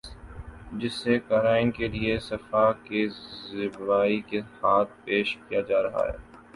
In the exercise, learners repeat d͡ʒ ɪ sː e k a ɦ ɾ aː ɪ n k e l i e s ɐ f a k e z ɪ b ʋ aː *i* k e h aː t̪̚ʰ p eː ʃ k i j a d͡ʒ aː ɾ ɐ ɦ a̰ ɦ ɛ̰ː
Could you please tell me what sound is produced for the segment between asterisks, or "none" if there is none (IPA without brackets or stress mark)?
i